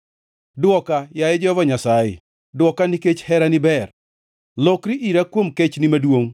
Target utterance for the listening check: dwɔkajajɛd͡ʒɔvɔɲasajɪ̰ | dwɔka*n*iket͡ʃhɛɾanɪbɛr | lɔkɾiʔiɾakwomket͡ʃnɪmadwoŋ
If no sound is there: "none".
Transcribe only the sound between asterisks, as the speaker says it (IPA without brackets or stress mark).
n